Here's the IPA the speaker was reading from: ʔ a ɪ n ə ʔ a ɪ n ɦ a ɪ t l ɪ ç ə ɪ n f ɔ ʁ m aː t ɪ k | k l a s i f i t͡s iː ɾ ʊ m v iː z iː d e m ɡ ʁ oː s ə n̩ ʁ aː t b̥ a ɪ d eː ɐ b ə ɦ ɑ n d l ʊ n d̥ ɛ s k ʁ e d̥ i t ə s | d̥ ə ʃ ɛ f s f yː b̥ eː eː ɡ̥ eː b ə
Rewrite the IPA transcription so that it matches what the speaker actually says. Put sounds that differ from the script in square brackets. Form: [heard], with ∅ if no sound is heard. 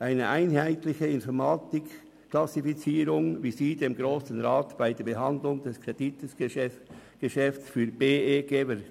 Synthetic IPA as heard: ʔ a ɪ n ə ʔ a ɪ n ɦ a ɪ t l ɪ ç ə ɪ n f ɔ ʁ m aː t ɪ k | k l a s i f i t͡s iː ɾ ʊ [ŋ] v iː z iː d e m ɡ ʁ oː s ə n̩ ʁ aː t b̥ a ɪ d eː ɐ b ə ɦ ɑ n d l ʊ [ŋ] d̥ ɛ s k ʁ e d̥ i t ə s | [ɡ̥] ə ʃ ɛ f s f yː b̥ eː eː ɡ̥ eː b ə